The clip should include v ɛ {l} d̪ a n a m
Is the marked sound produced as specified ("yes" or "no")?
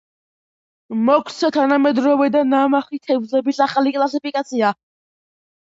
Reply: no